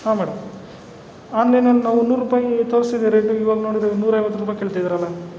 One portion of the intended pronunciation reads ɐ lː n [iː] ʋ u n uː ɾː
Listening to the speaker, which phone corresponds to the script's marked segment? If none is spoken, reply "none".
aː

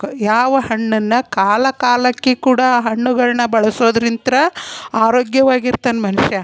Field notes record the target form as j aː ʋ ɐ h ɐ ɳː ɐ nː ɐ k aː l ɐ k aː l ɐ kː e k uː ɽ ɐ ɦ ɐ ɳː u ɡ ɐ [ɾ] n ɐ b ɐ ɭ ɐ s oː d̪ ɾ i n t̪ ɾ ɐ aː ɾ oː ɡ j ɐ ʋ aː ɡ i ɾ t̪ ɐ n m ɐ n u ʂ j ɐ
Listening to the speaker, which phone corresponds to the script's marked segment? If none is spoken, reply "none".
ɭ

